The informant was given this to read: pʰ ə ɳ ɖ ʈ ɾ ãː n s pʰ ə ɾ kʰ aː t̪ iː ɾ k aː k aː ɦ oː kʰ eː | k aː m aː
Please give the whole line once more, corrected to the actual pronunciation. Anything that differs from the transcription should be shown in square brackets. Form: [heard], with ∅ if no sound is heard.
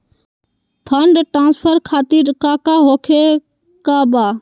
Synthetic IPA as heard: pʰ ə ɳ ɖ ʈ ɾ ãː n s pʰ ə ɾ kʰ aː t̪ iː ɾ k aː k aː ɦ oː kʰ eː | k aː [b] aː